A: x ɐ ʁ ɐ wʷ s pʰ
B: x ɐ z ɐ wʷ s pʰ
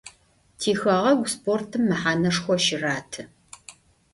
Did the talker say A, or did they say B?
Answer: A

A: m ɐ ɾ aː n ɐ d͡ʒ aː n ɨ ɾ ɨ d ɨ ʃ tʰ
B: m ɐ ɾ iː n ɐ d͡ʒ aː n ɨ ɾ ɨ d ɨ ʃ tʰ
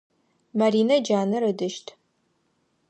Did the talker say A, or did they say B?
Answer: B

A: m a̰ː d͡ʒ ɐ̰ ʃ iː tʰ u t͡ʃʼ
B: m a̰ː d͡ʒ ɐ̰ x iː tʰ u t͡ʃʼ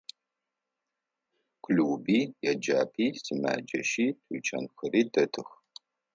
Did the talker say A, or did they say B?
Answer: A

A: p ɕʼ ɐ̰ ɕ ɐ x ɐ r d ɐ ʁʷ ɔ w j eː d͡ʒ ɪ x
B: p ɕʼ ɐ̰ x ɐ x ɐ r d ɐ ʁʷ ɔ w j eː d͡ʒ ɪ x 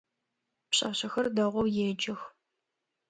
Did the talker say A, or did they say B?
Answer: A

